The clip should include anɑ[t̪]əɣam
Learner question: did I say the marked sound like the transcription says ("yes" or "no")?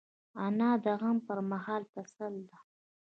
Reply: no